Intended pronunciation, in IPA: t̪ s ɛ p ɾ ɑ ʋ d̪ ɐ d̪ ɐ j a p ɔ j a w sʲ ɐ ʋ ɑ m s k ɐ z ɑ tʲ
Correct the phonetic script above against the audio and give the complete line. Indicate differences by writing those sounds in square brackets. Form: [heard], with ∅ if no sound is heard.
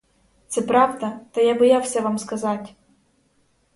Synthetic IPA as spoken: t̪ s ɛ p ɾ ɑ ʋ d̪ ɐ [t̪] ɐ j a [b] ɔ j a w sʲ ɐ ʋ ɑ m s k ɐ z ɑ tʲ